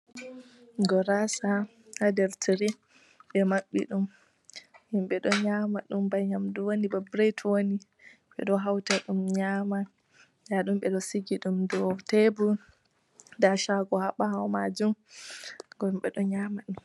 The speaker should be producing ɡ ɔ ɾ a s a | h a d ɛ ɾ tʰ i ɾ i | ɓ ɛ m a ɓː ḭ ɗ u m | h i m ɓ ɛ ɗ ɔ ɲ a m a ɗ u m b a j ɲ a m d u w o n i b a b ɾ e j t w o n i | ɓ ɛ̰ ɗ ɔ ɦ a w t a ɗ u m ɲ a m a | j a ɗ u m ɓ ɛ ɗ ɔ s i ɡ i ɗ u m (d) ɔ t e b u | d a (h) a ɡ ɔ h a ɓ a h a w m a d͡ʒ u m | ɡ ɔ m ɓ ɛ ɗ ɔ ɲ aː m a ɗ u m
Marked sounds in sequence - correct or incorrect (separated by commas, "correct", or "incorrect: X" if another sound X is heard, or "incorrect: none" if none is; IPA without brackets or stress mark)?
correct, incorrect: ʃ